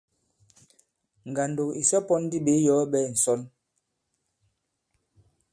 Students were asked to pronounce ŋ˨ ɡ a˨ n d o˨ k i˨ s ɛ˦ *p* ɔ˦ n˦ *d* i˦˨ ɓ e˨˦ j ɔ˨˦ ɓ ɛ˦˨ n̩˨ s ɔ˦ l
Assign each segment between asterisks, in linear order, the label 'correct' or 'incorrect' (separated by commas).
correct, correct